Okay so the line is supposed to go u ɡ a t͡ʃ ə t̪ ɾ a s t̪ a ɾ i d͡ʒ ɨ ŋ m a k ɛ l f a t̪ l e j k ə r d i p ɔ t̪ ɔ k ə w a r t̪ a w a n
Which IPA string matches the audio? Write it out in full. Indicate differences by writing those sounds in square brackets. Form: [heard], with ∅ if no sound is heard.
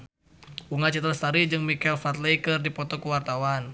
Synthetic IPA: u [ŋ] a t͡ʃ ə t̪ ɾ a s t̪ a ɾ i d͡ʒ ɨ ŋ m [i] k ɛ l f a t̪ l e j k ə r d i p ɔ t̪ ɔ k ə w a r t̪ a w a n